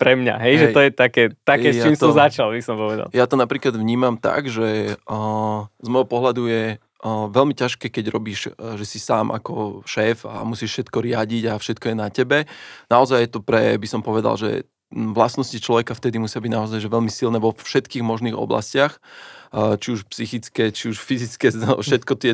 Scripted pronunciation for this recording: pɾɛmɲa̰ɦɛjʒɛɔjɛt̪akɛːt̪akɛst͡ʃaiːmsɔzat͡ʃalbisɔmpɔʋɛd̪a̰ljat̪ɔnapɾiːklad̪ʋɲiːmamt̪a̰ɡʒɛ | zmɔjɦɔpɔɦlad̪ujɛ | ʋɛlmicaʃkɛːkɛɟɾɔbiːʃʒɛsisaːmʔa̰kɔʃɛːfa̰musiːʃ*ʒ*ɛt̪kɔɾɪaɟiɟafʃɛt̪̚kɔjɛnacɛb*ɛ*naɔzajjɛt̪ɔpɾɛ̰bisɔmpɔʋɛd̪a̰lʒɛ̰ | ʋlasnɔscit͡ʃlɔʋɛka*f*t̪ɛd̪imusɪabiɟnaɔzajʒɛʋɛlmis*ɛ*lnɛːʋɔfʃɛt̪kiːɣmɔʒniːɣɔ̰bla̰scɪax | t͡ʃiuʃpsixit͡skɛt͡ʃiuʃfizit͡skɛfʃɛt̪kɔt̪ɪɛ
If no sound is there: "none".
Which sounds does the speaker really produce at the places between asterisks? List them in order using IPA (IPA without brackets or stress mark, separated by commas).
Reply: ʃ, ɛ, f, i